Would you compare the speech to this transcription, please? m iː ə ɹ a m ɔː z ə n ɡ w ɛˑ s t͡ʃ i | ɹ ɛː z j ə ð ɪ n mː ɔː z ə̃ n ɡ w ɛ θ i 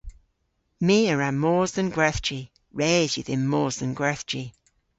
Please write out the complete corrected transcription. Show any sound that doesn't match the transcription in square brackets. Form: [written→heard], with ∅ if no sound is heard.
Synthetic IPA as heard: m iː ə ɹ a m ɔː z ə n ɡ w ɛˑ [s→θ] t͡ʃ i | ɹ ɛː z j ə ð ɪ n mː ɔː z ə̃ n ɡ w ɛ θ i